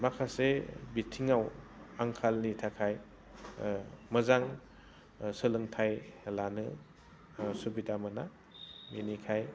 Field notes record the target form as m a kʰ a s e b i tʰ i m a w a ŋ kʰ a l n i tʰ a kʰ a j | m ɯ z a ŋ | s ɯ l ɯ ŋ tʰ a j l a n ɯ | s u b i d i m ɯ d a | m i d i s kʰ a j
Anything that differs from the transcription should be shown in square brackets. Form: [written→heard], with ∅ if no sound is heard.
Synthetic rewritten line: m a kʰ a s e b i tʰ i [m→ŋ] a w a ŋ kʰ a l n i tʰ a kʰ a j | m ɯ z a ŋ | s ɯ l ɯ ŋ tʰ a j l a n ɯ | s u b i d [i→a] m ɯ [d→n] a | m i [d→n] i [s→∅] kʰ a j

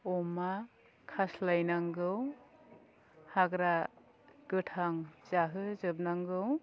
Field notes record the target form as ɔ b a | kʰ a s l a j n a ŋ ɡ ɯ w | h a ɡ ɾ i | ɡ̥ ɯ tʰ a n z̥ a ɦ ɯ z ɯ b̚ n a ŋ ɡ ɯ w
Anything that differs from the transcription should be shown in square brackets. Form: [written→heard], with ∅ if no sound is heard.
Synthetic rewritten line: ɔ [b→m] a | kʰ a s l a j n a ŋ ɡ ɯ w | h a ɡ ɾ [i→a] | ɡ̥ ɯ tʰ a [n→ŋ] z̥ a ɦ ɯ z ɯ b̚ n a ŋ ɡ ɯ w

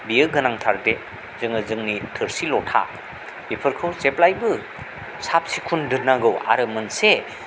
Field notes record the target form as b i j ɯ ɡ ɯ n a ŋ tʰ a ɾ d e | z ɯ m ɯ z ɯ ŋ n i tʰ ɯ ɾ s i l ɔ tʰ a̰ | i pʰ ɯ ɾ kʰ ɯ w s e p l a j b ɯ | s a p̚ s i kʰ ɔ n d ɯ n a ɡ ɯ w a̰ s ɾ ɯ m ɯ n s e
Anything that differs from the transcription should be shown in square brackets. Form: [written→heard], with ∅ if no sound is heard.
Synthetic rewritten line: b i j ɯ ɡ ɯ n a ŋ tʰ a ɾ d e | z ɯ [m→ŋ] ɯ z ɯ ŋ n i tʰ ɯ ɾ s i l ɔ tʰ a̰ | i pʰ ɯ ɾ kʰ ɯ w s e p l a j b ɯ | s a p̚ s i kʰ [ɔ→u] n d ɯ n a ɡ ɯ w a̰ [s→∅] ɾ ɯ m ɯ n s e

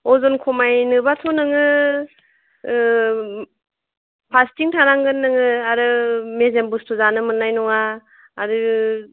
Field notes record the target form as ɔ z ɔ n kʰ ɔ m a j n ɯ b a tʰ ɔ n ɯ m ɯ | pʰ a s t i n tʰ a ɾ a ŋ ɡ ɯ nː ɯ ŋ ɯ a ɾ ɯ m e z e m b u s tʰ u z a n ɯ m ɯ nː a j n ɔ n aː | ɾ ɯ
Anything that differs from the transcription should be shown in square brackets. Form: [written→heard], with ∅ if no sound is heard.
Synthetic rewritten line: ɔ z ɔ n kʰ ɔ m a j n ɯ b a tʰ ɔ n ɯ [m→ŋ] ɯ | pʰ a s t i [n→ŋ] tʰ a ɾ a ŋ ɡ ɯ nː ɯ ŋ ɯ a ɾ ɯ m e z e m b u s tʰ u z a n ɯ m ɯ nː a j n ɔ [n→ŋ] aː | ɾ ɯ

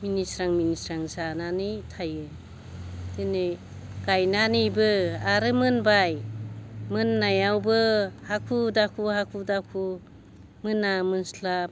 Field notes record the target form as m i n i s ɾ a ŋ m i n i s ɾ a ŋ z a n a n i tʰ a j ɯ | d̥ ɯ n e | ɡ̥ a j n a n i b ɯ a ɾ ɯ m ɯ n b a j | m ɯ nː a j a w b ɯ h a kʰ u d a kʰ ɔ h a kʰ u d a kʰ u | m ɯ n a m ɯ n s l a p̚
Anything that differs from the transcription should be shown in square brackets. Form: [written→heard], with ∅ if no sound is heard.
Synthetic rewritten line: m i n i s ɾ a ŋ m i n i s ɾ a ŋ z a n a n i tʰ a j ɯ | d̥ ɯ n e | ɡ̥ a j n a n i b ɯ a ɾ ɯ m ɯ n b a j | m ɯ nː a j a w b ɯ h a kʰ u d a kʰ [ɔ→u] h a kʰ u d a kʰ u | m ɯ n a m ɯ n s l a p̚

